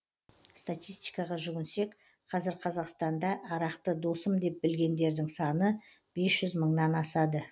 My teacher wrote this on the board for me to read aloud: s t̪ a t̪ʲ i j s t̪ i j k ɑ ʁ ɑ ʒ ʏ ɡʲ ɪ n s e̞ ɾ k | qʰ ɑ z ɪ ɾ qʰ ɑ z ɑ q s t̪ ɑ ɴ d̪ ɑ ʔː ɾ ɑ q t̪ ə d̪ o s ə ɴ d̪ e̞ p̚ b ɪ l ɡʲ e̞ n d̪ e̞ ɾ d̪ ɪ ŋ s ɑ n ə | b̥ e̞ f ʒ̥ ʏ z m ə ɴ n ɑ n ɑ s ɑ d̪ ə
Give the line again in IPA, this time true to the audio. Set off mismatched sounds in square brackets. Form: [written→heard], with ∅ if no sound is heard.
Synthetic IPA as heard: s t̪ a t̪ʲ i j s t̪ i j k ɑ ʁ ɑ ʒ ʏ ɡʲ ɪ n s e̞ [ɾ→∅] k | qʰ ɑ z ɪ ɾ qʰ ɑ z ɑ q s t̪ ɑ [ɴ→n] d̪ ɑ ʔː ɾ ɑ q t̪ ə d̪ o s ə [ɴ→m] d̪ e̞ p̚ b ɪ l ɡʲ e̞ n d̪ e̞ ɾ d̪ ɪ ŋ s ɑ n ə | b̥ e̞ [f→s] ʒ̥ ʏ z m ə ɴ n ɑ n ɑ s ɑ d̪ ə